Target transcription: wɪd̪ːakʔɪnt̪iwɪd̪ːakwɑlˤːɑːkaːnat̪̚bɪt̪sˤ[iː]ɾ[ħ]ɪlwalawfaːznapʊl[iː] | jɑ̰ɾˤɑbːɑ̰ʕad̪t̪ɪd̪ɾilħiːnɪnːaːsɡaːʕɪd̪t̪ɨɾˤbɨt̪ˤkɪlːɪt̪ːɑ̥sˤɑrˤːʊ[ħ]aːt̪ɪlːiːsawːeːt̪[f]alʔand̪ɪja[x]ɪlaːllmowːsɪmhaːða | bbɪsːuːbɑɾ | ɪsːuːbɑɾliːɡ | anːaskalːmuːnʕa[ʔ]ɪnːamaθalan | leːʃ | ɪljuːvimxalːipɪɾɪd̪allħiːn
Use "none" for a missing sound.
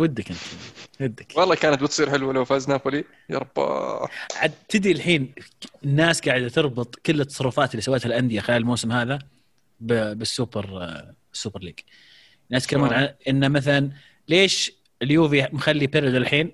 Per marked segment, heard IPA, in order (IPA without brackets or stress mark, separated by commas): iː, ħ, i, f, h, x, ʔ